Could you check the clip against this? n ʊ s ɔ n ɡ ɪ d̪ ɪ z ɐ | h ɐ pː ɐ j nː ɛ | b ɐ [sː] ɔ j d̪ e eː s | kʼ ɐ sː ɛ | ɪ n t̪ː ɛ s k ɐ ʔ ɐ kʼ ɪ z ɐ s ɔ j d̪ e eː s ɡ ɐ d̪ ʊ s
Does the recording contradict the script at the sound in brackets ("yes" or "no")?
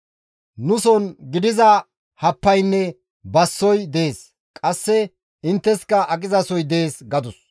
no